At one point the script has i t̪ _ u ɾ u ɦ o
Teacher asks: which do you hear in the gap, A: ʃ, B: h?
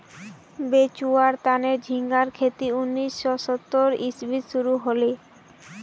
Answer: A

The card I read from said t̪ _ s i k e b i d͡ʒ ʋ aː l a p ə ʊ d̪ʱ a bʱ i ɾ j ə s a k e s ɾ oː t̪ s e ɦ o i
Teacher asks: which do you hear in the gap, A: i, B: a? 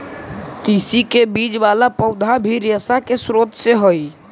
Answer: A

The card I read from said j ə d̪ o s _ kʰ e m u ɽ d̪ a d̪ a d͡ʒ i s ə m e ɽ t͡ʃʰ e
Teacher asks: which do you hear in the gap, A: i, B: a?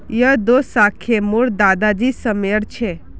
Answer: B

